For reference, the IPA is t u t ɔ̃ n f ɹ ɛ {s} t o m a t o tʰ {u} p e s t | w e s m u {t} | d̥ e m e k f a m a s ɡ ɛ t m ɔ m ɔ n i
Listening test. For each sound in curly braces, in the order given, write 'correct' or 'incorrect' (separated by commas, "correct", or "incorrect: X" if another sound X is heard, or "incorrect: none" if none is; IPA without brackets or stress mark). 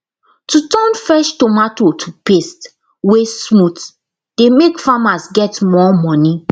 incorrect: ʃ, correct, correct